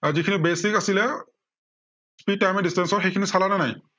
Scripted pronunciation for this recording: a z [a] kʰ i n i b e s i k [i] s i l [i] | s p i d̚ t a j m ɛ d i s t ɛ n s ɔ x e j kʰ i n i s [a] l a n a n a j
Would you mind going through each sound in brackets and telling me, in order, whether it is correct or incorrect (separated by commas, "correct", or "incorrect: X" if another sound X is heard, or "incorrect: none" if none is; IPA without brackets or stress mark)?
incorrect: i, incorrect: a, incorrect: ɛ, correct